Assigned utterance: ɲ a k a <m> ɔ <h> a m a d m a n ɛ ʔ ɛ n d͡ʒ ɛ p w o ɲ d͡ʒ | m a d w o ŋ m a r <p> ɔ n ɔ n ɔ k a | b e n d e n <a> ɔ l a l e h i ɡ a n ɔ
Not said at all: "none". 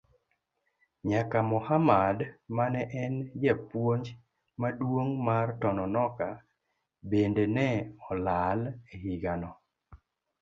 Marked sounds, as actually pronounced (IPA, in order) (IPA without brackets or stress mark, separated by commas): m, h, t, ɛ